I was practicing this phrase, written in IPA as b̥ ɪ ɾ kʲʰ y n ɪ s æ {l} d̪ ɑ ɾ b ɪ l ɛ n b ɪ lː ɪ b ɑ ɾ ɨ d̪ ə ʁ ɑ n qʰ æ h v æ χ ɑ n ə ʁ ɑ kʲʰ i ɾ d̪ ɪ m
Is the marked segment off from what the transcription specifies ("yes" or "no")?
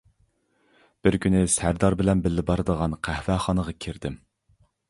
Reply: yes